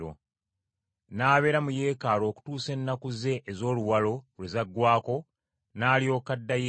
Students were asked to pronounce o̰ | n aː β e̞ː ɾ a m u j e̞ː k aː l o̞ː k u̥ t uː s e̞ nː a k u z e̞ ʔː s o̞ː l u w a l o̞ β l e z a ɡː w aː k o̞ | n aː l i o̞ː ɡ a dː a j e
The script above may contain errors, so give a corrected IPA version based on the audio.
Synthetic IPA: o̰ | n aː β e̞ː ɾ a m u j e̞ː k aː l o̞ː k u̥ t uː s e̞ nː a k u z e̞ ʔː z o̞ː l u w a l o̞ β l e z a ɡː w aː k o̞ | n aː l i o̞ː k a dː a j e